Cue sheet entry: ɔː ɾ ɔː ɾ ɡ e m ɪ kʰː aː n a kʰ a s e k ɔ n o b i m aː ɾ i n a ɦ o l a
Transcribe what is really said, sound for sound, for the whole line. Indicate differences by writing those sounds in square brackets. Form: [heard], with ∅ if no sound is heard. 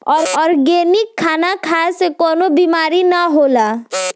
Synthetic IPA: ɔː ɾ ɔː ɾ ɡ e [n] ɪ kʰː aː n a kʰ a s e k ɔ n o b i m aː ɾ i n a ɦ o l a